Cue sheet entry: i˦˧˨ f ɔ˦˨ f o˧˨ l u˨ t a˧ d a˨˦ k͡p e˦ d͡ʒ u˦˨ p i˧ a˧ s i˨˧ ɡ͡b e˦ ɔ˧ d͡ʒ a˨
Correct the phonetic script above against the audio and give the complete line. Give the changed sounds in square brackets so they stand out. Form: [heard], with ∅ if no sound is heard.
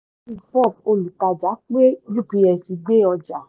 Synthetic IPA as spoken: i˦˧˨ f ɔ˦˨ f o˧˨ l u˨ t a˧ [d͡ʒ] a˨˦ k͡p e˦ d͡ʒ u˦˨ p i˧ [ɛ˧] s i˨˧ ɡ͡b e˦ ɔ˧ d͡ʒ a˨